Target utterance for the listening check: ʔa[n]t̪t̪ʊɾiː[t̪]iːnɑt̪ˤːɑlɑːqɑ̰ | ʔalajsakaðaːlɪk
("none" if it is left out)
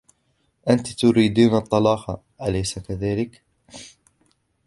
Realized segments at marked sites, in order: n, d̪

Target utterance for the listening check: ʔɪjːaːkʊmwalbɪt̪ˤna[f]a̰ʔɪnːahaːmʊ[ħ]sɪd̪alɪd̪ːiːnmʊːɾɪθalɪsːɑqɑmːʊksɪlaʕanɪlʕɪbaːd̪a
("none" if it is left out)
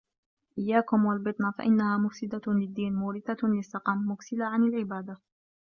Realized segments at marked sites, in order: f, f

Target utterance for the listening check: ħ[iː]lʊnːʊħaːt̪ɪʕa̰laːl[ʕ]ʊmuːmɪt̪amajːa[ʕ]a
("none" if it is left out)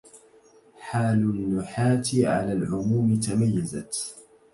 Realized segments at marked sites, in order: aː, ʕ, z

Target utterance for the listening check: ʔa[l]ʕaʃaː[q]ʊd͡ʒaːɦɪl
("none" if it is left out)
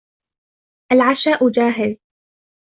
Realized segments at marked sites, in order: l, ʔ

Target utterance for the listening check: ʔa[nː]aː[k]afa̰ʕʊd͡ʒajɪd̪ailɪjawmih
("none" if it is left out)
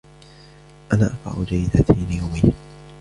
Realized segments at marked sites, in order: n, ʔ

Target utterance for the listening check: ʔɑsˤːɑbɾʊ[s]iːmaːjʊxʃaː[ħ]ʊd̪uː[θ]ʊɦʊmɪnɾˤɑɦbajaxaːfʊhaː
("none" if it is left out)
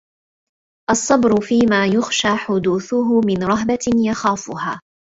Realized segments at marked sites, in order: f, ħ, θ

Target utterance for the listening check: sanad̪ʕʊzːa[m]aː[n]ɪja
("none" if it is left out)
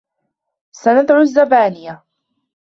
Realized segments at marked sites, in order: b, n

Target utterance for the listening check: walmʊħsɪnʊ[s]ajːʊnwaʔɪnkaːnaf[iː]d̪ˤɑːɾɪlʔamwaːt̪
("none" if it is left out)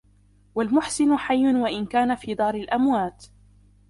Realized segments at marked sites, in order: ħ, iː

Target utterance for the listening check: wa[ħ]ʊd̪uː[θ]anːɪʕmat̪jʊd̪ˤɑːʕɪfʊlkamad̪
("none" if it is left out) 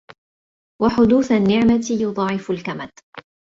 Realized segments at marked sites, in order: ħ, θ

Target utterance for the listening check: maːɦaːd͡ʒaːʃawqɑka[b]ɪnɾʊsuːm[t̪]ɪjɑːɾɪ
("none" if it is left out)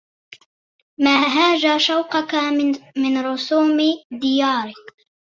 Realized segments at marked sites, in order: m, d̪

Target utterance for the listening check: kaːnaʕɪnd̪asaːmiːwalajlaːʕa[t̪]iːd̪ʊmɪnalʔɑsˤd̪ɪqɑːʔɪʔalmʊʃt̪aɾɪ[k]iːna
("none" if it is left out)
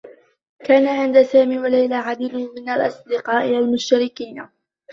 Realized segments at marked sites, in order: d̪, k

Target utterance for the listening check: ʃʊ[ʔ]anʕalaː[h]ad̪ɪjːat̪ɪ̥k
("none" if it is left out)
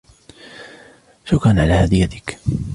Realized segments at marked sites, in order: k, h

